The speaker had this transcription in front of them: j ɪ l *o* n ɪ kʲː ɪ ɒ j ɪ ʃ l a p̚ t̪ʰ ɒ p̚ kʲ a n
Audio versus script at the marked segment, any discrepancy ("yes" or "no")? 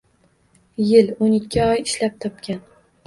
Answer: no